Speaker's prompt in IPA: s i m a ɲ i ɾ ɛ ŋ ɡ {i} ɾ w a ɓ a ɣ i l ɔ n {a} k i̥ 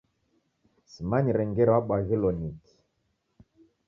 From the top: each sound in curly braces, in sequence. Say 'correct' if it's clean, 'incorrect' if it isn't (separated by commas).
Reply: incorrect, incorrect